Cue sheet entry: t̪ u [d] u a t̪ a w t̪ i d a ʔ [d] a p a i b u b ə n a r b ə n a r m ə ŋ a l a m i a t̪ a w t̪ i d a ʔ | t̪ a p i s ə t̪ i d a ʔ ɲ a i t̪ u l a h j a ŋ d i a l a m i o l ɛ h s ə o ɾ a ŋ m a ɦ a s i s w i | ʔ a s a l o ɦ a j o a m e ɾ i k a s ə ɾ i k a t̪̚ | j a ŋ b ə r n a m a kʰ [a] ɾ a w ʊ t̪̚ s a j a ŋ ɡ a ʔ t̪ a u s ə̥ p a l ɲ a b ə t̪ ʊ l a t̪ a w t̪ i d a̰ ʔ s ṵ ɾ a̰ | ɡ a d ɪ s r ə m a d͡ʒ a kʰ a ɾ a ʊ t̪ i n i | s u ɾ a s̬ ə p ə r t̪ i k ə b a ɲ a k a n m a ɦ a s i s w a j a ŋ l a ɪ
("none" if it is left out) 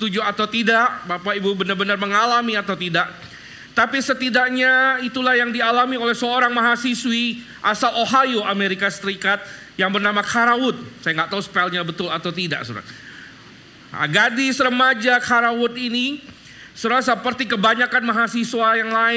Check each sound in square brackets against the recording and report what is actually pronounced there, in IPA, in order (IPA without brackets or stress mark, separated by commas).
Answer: d͡ʒ, b, a